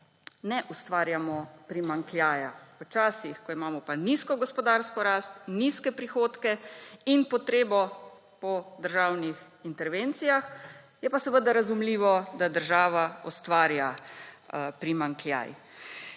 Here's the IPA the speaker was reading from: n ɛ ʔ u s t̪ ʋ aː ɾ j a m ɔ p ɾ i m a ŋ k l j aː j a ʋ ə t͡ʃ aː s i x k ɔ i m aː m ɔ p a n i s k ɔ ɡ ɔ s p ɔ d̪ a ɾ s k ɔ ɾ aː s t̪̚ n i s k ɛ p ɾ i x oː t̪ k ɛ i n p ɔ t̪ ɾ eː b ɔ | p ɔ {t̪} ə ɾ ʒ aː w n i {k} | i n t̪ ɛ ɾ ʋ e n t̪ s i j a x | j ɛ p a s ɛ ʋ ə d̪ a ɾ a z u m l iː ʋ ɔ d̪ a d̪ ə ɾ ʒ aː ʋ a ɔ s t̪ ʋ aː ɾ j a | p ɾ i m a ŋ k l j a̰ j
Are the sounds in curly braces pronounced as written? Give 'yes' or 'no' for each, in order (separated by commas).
no, no